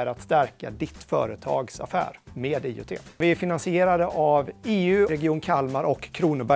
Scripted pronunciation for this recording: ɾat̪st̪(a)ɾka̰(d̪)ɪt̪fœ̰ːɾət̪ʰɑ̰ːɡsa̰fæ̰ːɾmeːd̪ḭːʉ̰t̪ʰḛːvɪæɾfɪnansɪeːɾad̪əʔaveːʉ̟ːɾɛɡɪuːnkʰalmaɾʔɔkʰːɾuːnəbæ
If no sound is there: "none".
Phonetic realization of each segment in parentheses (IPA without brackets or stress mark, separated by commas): æ, d̪